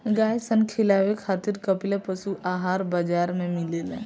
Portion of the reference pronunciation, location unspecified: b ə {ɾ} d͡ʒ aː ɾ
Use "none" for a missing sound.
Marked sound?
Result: none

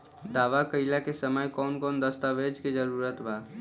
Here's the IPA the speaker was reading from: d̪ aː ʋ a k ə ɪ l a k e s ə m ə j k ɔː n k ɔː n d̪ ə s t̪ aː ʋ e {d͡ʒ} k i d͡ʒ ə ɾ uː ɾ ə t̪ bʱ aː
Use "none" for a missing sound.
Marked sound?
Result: d͡ʒ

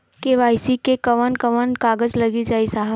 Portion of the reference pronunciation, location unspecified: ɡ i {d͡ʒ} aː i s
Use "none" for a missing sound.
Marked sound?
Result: d͡ʒ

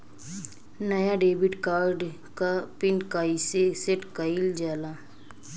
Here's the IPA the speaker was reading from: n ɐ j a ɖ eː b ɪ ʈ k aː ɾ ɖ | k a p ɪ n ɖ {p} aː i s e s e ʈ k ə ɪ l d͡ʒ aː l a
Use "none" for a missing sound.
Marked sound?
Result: k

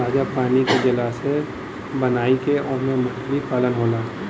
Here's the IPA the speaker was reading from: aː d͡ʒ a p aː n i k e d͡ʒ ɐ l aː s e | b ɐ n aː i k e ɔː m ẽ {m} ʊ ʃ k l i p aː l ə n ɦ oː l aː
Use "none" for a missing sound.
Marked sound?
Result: m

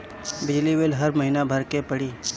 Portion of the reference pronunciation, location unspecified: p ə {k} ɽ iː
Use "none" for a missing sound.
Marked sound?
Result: none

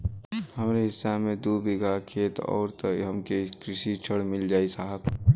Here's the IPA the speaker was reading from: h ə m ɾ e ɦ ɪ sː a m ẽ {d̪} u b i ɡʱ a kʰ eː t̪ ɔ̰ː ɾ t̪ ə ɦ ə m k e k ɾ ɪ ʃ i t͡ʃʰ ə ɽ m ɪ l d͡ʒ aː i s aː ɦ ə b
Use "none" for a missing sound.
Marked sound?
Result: d̪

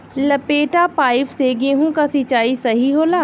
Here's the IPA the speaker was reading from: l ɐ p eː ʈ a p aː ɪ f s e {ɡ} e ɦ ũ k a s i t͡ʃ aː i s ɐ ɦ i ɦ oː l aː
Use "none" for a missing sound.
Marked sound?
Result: ɡ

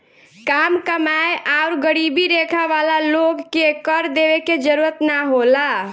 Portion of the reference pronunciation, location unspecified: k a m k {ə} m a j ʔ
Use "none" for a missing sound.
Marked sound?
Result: ə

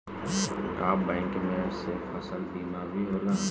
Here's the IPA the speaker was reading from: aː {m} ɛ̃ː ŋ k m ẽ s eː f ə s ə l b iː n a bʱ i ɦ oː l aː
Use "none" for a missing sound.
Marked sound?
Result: b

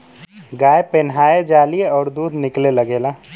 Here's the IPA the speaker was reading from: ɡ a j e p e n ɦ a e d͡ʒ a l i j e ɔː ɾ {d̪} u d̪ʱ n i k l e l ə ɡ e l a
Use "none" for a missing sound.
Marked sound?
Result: d̪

